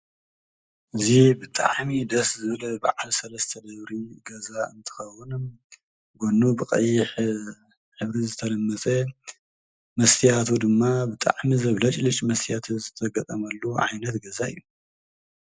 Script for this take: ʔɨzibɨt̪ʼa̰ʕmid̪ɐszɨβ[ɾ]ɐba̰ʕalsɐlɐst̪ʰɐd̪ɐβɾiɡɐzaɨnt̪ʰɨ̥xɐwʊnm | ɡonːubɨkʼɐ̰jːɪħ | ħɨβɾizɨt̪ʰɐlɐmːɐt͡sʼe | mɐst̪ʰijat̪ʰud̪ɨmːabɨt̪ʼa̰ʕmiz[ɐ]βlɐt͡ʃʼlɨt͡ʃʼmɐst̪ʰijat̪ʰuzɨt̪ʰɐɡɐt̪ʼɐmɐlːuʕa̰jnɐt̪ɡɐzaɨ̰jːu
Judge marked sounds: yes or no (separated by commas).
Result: no, yes